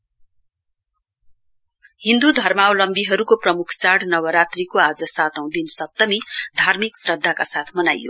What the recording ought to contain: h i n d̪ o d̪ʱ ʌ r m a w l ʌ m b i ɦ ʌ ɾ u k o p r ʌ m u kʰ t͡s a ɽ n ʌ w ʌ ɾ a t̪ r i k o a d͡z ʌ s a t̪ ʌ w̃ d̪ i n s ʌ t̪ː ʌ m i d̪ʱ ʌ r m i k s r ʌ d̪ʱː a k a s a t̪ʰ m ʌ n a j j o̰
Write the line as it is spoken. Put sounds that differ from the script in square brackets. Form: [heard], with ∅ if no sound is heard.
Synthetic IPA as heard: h i n d̪ [u] d̪ʱ ʌ r m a w l ʌ m b i ɦ ʌ ɾ u k o p r ʌ m u kʰ t͡s a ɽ n ʌ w ʌ ɾ a t̪ r i k o a d͡z ʌ s a t̪ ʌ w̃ d̪ i n s ʌ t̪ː ʌ m i d̪ʱ [a] r m i k s r ʌ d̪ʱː a k a s a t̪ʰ m ʌ n a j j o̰

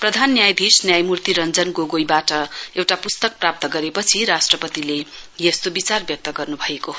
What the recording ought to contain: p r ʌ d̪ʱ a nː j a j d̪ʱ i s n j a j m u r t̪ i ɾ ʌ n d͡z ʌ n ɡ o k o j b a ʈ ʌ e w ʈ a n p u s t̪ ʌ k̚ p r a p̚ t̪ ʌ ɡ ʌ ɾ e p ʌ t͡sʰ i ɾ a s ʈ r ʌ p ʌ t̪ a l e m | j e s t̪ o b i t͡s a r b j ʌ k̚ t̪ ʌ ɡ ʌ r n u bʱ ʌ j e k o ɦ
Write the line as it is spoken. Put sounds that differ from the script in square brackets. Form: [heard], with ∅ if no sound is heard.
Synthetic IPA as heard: p r ʌ d̪ʱ a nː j a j d̪ʱ i s n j a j m u r t̪ i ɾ ʌ n d͡z ʌ n ɡ o [ɡ] o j b a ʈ ʌ e w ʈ a [∅] p u s t̪ ʌ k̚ p r a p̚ t̪ ʌ ɡ ʌ ɾ e p ʌ t͡sʰ i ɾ a s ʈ r ʌ p ʌ t̪ [i] l e [∅] | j e s t̪ o b i t͡s a r b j ʌ k̚ t̪ ʌ ɡ ʌ r n u bʱ ʌ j e k o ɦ

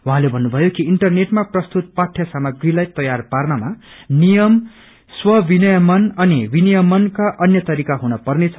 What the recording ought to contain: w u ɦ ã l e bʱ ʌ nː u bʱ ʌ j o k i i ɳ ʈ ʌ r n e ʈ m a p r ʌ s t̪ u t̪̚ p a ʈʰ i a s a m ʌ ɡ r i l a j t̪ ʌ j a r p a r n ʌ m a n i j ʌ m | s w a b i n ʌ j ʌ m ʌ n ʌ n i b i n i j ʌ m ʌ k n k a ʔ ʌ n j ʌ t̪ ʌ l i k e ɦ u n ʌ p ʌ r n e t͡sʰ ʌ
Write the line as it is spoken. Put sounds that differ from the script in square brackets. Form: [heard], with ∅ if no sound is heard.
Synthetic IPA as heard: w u ɦ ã l e bʱ ʌ nː u bʱ ʌ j o k i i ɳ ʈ ʌ r n e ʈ m a p r ʌ s t̪ u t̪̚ p a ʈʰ [j] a s a m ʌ ɡ r i l a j t̪ ʌ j a r p a r n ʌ m a n i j ʌ m | s w [ʌ] b i n ʌ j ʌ m ʌ n ʌ n i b i n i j ʌ m ʌ [∅] n k a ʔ ʌ n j ʌ t̪ ʌ [ɾ] i k [a] ɦ u n ʌ p ʌ r n e t͡sʰ ʌ

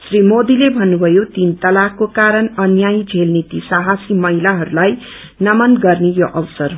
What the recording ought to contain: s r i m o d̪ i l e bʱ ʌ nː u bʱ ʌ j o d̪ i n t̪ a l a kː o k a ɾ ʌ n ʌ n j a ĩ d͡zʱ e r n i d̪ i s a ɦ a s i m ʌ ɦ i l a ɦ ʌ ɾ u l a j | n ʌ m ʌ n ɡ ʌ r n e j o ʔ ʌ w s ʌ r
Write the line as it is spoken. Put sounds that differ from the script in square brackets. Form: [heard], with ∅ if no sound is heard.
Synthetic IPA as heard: s r i m o d̪ i l e bʱ ʌ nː u bʱ ʌ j o [t̪] i n t̪ [ʌ] l a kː o k a ɾ ʌ n ʌ n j a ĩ d͡zʱ e [l] n i [t̪] i s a ɦ a s i m ʌ ɦ i l a ɦ ʌ ɾ u l a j | n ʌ m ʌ n ɡ ʌ r n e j o ʔ ʌ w s ʌ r

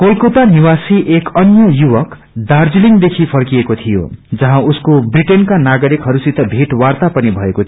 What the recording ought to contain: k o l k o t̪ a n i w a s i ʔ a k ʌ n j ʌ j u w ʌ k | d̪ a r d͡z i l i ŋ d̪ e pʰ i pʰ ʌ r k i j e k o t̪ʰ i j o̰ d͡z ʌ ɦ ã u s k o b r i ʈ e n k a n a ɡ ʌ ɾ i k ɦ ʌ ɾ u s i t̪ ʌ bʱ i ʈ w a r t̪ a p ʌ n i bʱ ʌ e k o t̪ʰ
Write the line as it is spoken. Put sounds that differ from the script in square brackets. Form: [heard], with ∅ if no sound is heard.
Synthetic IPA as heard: k o l k o t̪ a n i w a s i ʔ [e] k ʌ n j ʌ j u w ʌ k | d̪ a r d͡z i l i ŋ d̪ e [kʰ] i pʰ ʌ r k i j e k o t̪ʰ i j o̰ d͡z ʌ ɦ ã u s k o b r i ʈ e n k a n a ɡ ʌ ɾ i k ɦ ʌ ɾ u s i t̪ ʌ bʱ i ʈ w a r t̪ a p ʌ n i bʱ ʌ e k o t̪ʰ

